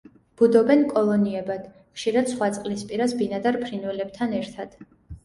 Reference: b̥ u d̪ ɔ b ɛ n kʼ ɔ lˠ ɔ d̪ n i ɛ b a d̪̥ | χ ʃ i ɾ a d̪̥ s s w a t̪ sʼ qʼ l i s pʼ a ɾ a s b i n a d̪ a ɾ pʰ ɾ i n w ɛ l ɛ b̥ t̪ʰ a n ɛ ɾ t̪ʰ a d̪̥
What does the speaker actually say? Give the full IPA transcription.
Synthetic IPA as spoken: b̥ u d̪ ɔ b ɛ n kʼ ɔ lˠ ɔ n i ɛ b a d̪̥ | χ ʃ i ɾ a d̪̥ s χ w a t̪ sʼ qʼ l i s pʼ i ɾ a s b i n a d̪ a ɾ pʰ ɾ i n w ɛ l ɛ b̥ t̪ʰ a n ɛ ɾ t̪ʰ a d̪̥